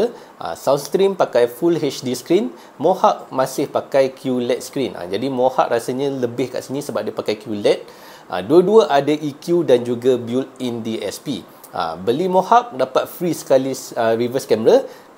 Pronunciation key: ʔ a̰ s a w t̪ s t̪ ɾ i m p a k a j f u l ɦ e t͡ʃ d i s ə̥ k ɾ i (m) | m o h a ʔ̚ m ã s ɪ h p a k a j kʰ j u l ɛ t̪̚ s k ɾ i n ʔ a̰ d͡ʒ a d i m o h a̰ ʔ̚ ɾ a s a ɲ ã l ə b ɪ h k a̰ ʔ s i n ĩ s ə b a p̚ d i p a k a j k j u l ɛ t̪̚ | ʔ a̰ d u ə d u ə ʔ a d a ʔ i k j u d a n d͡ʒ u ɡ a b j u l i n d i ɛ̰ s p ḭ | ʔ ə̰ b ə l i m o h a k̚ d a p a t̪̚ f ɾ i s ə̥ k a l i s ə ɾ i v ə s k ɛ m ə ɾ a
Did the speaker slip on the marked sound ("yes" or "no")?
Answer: yes